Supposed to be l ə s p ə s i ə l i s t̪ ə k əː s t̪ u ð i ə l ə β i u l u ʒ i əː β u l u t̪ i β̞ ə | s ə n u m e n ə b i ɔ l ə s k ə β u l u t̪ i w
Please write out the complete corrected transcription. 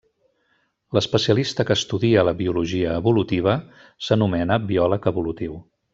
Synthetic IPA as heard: l ə s p ə s i ə l i s t̪ ə k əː s t̪ u ð i ə l ə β i u l u ʒ i əː β u l u t̪ i β̞ ə | s ə n u m ɛ n ə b i ɔ l ə k ə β u l u t̪ i w